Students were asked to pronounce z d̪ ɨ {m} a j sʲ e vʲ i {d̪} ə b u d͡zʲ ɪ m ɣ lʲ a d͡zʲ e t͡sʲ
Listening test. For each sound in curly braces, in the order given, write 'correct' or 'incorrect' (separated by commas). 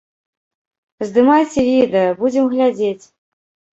correct, correct